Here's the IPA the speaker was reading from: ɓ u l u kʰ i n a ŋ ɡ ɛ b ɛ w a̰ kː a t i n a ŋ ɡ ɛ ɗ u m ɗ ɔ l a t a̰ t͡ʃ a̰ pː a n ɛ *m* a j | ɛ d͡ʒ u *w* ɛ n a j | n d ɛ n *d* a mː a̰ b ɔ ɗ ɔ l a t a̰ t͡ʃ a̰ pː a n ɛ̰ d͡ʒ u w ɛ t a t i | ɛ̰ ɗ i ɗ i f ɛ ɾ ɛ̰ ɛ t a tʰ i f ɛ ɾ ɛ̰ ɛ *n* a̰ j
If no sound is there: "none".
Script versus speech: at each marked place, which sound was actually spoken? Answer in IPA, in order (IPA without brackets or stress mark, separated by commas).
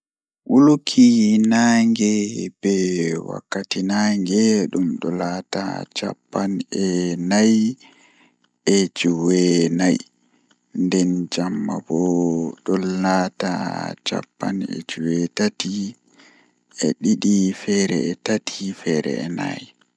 n, w, d͡ʒ, n